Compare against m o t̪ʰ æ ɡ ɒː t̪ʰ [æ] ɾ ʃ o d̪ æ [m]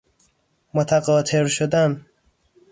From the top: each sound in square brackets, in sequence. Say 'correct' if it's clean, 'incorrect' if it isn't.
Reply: incorrect, incorrect

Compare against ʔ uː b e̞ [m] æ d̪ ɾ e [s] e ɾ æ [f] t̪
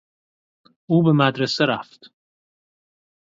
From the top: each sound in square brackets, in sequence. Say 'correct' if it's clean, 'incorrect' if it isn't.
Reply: correct, correct, correct

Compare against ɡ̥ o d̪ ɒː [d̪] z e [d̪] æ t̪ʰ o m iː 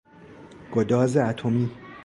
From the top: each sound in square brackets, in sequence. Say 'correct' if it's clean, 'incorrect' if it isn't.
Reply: incorrect, incorrect

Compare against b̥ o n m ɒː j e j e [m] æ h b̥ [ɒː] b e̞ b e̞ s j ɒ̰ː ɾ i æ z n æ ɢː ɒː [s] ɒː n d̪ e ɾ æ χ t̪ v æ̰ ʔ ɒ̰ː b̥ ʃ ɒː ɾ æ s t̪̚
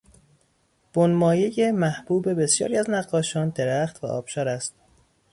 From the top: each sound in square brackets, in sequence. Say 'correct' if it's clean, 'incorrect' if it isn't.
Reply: correct, incorrect, incorrect

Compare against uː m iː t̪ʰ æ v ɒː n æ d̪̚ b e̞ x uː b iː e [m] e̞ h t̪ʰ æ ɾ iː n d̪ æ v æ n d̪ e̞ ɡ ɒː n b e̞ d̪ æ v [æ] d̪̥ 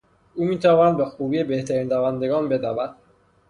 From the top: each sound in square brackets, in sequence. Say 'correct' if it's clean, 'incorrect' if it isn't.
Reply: incorrect, correct

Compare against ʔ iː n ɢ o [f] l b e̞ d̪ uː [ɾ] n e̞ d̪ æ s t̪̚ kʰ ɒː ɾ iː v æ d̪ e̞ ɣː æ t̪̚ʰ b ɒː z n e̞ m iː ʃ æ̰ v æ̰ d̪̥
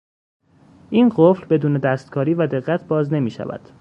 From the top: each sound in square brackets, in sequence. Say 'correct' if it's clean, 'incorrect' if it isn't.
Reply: correct, incorrect

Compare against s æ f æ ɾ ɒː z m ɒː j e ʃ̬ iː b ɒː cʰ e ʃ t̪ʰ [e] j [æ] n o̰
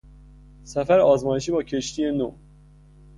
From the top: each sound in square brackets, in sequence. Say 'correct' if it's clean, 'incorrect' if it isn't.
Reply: incorrect, incorrect

